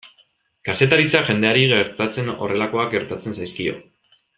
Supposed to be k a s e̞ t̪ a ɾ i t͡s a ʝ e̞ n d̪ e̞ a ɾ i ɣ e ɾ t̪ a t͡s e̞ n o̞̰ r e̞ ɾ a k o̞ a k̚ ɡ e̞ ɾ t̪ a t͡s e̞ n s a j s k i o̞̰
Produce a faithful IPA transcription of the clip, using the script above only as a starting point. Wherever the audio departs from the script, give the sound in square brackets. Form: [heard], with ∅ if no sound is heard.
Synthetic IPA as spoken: k a s e̞ t̪ a ɾ i t͡s a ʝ e̞ n d̪ e̞ a ɾ i ɣ e ɾ t̪ a t͡s e̞ n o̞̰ r e̞ [l] a k o̞ a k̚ ɡ e̞ ɾ t̪ a t͡s e̞ n s a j s k i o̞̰